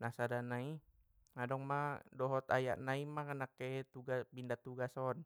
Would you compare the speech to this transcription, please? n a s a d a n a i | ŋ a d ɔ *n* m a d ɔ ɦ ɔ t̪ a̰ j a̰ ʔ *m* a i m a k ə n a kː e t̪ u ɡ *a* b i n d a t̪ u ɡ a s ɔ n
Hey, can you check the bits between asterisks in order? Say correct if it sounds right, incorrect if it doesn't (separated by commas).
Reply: incorrect, incorrect, correct